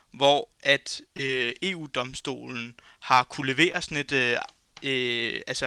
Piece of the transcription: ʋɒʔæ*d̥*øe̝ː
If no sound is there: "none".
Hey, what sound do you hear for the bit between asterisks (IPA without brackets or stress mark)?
d̥